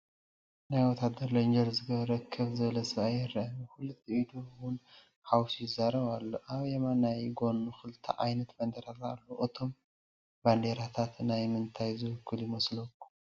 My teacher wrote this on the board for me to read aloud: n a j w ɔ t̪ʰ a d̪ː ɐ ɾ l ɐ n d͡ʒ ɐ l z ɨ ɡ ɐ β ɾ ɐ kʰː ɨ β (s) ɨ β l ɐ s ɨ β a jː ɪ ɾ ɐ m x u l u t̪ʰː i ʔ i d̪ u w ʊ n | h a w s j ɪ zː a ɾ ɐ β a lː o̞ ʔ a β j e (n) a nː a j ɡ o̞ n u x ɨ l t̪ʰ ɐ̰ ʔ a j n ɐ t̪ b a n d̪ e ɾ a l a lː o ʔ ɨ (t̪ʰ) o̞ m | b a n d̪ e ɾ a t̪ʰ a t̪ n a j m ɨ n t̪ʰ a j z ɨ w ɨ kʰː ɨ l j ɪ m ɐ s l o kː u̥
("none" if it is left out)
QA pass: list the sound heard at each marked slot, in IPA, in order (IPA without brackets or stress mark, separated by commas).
z, m, t̪ʰ